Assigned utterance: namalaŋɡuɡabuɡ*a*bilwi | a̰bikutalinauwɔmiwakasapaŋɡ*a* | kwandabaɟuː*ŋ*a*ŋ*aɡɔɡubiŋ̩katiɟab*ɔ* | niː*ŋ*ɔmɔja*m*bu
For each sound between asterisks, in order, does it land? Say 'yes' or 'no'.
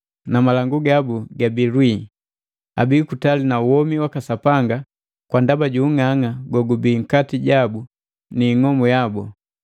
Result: yes, yes, yes, yes, no, yes, no

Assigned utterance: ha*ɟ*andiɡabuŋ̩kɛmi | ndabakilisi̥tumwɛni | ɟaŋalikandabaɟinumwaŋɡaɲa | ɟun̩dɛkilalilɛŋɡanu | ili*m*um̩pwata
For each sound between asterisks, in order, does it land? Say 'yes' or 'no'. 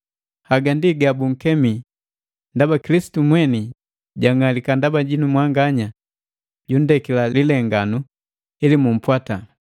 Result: no, yes

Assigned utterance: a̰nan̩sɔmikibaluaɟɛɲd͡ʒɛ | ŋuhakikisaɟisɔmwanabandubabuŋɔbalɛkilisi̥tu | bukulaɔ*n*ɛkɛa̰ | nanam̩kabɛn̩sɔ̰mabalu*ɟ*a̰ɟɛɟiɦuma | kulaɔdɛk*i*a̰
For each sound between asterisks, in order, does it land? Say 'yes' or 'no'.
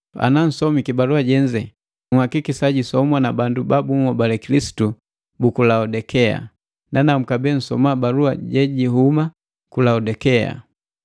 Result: no, no, no

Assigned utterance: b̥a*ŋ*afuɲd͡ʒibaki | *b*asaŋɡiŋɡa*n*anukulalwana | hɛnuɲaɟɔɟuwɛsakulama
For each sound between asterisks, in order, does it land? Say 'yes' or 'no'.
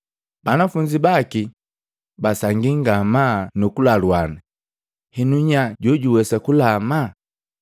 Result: no, yes, no

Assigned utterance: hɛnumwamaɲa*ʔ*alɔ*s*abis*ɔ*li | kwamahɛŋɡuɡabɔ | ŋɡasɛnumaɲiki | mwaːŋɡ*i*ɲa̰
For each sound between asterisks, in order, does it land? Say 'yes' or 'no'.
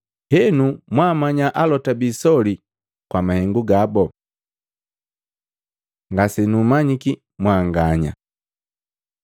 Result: yes, no, yes, no

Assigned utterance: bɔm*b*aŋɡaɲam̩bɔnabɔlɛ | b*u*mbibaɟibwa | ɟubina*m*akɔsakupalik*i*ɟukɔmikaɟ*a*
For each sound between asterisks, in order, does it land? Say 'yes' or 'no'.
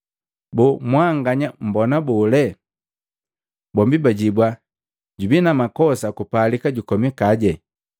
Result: no, no, yes, no, no

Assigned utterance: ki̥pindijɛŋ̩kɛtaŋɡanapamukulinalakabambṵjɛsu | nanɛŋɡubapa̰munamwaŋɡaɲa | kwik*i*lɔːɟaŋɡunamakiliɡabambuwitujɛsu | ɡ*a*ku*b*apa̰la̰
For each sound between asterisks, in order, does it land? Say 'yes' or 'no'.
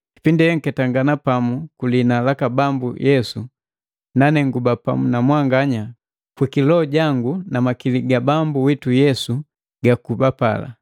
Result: yes, yes, yes

